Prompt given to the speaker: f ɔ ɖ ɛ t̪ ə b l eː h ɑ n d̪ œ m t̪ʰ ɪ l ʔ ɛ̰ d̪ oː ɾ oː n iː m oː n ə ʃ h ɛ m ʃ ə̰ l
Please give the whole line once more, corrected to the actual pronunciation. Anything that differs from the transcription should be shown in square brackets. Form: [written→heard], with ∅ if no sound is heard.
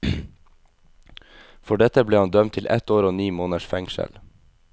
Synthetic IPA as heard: f ɔ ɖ ɛ t̪ ə b l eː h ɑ n d̪ œ m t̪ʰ ɪ l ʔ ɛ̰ [d̪→t̪] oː ɾ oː n iː m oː n ə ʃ [h→f] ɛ [m→ŋ] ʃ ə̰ l